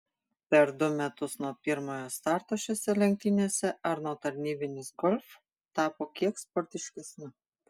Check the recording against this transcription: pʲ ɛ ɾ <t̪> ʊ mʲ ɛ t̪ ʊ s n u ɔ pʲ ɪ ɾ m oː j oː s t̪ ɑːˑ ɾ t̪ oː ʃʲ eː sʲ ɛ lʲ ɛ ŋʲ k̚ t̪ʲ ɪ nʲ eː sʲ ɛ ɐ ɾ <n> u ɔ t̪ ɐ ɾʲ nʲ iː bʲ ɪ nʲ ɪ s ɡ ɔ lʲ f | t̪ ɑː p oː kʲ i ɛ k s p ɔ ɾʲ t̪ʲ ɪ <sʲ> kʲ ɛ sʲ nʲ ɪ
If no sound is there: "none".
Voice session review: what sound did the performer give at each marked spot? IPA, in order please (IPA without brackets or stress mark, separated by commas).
d̪, n, ʃʲ